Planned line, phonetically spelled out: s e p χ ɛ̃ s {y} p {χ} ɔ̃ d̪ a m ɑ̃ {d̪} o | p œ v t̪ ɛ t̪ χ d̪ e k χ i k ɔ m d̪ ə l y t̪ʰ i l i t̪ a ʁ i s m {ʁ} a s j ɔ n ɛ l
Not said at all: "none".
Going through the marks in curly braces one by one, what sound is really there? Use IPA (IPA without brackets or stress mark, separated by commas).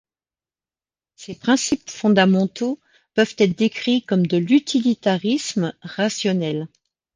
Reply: i, f, t̪, ʁ